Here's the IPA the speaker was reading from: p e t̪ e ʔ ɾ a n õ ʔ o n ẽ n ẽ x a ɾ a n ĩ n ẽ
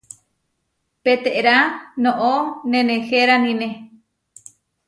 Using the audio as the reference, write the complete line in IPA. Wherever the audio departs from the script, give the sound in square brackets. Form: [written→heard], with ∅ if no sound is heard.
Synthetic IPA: p e t̪ e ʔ ɾ a n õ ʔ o n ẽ n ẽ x [a→e] ɾ a n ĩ n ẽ